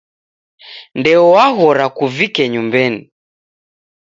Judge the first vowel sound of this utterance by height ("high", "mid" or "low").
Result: mid